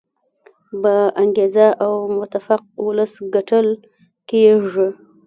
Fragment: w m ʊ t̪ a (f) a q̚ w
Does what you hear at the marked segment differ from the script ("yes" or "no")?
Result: no